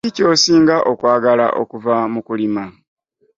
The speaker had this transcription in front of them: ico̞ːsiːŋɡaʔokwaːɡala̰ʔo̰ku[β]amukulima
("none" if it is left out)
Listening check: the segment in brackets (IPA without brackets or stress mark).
v